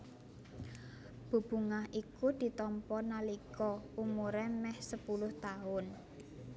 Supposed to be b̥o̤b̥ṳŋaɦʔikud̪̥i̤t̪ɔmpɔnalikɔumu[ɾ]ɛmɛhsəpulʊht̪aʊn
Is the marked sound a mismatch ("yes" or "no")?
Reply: no